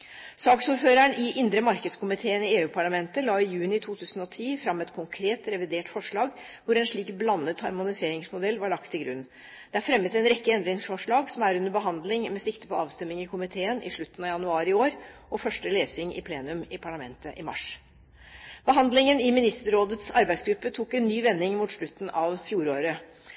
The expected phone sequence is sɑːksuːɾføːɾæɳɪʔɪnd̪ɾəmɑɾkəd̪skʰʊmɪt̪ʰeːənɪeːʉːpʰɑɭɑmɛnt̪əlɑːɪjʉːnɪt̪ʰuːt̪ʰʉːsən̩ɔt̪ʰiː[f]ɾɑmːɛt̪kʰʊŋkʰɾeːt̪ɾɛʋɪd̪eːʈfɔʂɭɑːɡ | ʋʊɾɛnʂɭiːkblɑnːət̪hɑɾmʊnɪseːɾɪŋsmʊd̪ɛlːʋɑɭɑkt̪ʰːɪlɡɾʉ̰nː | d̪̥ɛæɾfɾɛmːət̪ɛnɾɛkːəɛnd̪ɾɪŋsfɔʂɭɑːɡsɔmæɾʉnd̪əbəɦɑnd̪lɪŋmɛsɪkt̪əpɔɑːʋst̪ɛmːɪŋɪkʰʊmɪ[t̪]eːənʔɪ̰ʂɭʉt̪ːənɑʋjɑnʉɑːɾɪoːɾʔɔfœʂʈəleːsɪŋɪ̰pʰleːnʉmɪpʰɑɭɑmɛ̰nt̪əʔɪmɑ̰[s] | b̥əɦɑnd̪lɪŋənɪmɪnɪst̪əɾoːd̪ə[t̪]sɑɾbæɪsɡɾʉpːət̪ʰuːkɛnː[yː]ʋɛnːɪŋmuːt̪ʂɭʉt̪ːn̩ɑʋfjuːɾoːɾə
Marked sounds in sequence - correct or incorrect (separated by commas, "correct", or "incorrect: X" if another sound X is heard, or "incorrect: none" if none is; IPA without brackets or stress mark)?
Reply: correct, incorrect: t̪ʰ, incorrect: ʂ, correct, correct